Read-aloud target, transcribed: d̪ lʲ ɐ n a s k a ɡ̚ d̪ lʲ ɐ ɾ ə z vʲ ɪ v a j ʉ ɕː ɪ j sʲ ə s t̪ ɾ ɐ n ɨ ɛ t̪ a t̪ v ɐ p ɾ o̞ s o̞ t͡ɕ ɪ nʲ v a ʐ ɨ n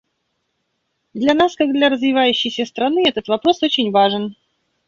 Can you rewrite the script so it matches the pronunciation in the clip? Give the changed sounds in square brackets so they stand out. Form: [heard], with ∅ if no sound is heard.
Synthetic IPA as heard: d̪ lʲ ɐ n a s k a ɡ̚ d̪ lʲ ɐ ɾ ə z vʲ ɪ v a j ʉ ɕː ɪ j sʲ ə s t̪ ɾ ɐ n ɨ ɛ t̪ [ə] t̪ v ɐ p ɾ o̞ s o̞ t͡ɕ ɪ nʲ v a ʐ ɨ n